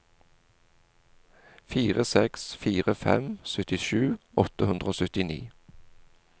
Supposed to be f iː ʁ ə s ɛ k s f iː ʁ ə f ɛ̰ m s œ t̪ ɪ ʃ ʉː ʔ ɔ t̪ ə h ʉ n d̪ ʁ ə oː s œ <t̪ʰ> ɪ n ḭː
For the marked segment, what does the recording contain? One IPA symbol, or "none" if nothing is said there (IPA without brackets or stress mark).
t̪